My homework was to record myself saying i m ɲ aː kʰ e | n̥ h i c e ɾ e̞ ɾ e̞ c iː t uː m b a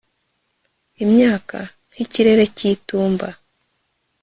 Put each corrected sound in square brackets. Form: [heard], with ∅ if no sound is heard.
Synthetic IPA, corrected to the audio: i m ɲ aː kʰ [a] | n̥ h i c [i] ɾ e̞ ɾ e̞ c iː t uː m b a